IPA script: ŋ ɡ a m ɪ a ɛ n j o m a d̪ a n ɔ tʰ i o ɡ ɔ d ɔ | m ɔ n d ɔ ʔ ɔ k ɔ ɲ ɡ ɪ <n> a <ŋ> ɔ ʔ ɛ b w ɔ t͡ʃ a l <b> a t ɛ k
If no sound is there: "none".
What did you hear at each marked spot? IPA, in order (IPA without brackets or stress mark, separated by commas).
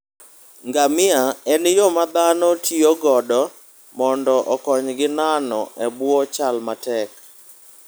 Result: n, n, m